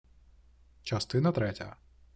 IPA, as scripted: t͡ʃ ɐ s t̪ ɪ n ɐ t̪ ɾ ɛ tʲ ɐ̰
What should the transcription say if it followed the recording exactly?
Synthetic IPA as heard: t͡ʃ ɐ s t̪ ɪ n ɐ t̪ ɾ ɛ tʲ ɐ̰